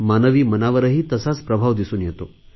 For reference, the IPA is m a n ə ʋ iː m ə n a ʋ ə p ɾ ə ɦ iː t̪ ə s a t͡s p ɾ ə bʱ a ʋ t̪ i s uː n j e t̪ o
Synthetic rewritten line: m a n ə ʋ iː m ə n a ʋ ə ɾ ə ɦ iː t̪ ə s a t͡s p ɾ ə bʱ a ʋ d̪ i s uː n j e t̪ o